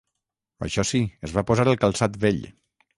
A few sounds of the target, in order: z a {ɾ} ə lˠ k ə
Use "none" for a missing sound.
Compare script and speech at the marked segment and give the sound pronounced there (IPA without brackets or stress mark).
ɾ